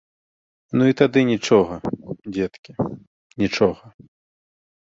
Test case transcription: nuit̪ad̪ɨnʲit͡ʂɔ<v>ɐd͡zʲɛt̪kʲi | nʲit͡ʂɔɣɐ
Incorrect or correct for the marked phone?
incorrect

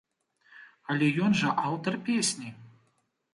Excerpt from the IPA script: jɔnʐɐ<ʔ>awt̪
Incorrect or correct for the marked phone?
correct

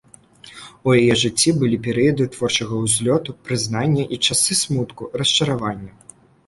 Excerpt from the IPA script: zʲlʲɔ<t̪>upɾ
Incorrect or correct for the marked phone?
correct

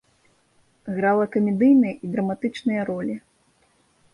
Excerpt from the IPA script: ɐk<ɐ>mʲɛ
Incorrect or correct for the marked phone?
correct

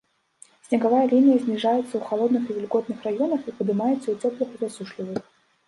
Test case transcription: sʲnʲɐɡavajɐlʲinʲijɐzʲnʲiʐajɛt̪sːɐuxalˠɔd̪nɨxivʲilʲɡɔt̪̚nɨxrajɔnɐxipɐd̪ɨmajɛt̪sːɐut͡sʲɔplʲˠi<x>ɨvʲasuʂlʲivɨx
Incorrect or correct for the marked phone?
correct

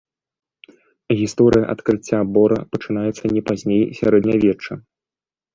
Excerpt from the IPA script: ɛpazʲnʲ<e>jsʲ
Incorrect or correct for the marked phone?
correct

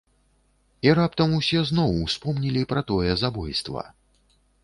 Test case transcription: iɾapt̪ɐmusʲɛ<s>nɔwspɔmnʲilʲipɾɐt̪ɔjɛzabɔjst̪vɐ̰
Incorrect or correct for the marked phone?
incorrect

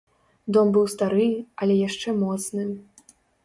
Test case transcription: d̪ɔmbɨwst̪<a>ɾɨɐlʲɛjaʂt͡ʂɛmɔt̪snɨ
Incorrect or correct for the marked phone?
correct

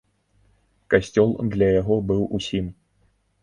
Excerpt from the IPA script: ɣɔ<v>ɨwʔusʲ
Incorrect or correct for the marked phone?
incorrect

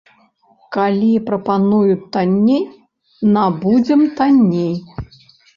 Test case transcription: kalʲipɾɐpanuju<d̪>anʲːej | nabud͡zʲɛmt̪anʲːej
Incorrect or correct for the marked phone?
incorrect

